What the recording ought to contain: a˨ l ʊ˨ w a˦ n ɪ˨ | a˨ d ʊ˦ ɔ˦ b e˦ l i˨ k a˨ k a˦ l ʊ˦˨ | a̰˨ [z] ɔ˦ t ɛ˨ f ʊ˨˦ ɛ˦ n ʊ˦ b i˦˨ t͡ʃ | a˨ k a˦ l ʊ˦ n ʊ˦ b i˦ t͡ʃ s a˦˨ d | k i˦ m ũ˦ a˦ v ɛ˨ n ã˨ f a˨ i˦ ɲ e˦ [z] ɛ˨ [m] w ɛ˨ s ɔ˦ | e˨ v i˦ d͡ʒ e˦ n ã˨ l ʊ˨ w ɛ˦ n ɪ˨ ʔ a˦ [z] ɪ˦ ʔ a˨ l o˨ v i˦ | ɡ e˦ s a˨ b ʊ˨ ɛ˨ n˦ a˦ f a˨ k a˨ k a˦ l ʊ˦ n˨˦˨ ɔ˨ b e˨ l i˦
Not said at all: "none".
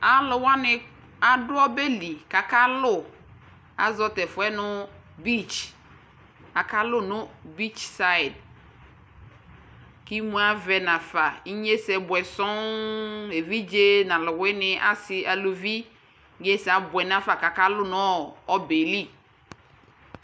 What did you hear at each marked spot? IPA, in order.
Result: z, s, b, s

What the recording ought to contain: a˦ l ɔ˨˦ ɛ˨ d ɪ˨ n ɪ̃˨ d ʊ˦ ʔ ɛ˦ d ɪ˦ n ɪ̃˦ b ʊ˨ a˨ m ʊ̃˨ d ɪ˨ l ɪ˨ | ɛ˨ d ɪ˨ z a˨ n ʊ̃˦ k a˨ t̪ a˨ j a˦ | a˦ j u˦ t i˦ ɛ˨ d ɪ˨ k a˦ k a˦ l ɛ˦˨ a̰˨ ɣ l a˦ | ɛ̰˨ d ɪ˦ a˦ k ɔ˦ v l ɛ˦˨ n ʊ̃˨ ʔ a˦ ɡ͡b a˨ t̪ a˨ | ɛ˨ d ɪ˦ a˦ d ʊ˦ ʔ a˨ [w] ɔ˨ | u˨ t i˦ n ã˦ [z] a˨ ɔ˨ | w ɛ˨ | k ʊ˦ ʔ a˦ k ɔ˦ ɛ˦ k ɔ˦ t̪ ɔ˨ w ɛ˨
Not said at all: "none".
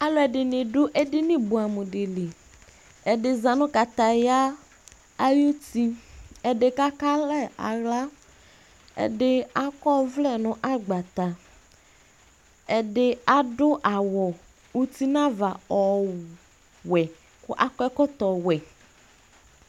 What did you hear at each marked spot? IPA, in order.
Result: w, v

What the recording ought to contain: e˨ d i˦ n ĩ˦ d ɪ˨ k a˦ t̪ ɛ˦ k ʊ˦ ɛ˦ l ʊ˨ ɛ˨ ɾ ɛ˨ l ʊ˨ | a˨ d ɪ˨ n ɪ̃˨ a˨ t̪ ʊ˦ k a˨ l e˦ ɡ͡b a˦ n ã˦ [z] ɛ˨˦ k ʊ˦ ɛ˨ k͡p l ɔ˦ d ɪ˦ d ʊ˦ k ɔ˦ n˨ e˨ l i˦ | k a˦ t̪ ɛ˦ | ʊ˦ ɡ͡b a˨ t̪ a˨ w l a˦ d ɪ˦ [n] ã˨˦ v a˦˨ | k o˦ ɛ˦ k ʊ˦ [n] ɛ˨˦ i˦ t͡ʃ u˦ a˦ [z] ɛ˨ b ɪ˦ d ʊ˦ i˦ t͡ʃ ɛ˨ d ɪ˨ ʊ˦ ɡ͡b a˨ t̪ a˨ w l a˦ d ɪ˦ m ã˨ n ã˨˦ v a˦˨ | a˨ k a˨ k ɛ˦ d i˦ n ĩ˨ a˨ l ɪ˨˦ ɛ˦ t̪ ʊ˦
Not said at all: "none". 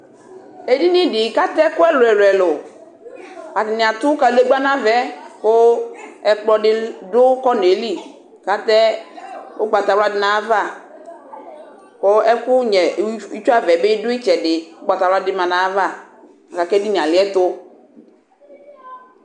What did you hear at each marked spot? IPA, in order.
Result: v, n, ɲ, v

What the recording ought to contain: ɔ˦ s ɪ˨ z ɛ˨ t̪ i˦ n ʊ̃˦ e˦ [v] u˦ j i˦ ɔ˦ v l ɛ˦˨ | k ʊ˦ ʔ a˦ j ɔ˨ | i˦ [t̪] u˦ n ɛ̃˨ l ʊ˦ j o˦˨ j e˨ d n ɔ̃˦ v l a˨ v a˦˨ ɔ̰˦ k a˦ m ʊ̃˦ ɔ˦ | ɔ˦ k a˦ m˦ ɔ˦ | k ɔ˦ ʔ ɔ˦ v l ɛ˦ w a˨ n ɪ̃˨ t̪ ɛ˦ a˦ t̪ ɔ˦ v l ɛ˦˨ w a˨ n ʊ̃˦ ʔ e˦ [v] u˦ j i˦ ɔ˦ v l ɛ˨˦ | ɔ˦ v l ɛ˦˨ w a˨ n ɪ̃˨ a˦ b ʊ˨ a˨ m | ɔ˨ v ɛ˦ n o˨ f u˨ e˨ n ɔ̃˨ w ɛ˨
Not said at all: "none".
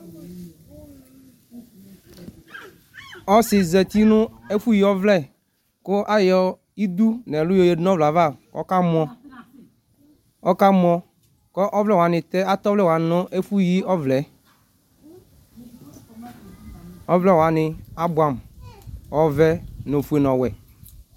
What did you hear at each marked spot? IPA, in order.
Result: f, d̪, f

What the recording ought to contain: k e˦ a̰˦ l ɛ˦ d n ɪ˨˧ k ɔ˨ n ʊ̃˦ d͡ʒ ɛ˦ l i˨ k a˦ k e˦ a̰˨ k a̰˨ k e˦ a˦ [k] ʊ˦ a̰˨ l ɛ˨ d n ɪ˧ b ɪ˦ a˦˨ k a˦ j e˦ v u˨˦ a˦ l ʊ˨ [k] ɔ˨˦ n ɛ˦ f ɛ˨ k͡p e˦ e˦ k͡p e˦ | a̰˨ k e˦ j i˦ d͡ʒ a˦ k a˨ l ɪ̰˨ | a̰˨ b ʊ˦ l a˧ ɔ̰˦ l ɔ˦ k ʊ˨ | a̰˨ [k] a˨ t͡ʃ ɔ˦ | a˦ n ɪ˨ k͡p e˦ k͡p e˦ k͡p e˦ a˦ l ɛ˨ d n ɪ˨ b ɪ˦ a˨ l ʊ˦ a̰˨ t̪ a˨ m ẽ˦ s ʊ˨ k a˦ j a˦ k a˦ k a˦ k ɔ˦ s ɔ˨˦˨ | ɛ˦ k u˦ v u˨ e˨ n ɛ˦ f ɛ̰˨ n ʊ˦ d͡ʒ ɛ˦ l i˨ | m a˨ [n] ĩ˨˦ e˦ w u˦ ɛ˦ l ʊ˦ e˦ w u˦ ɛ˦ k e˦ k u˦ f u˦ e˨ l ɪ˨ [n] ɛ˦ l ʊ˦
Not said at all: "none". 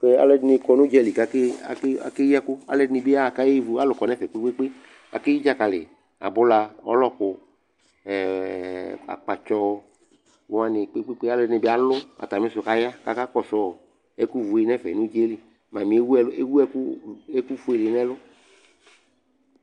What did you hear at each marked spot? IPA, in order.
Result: k, k, k͡p, m, n

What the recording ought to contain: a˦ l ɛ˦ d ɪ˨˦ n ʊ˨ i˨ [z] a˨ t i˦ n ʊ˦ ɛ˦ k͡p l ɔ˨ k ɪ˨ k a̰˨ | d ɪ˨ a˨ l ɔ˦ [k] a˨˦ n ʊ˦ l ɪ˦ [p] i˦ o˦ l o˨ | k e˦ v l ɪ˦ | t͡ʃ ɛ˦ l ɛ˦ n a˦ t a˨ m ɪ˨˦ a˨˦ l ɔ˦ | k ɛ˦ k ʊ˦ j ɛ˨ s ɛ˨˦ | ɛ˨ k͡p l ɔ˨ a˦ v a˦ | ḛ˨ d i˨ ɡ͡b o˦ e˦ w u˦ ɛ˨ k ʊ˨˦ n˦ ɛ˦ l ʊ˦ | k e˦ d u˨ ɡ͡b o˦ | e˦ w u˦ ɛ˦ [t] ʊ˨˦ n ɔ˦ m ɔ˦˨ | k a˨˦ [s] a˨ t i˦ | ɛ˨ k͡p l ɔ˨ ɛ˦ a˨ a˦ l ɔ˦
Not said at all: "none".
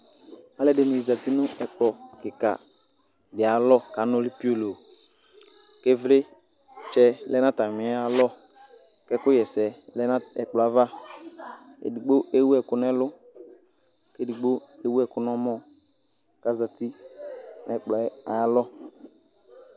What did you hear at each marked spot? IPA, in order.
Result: z, k, p, k, z

